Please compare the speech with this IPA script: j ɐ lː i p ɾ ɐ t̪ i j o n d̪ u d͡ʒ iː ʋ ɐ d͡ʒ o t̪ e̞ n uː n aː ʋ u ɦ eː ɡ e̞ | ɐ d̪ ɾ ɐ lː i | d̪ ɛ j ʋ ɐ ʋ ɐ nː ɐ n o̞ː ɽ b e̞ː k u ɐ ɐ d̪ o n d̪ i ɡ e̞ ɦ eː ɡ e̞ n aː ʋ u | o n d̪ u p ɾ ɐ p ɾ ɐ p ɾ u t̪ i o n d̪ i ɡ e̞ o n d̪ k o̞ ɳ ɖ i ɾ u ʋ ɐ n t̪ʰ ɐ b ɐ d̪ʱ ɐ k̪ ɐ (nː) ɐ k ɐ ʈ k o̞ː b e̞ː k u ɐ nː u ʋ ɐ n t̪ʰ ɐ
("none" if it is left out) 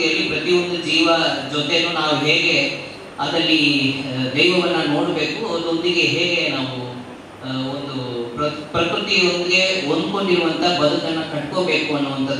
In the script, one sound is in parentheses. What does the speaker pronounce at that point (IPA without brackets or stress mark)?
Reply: nː